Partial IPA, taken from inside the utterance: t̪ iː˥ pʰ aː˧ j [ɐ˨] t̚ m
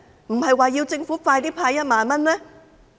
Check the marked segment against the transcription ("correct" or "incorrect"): incorrect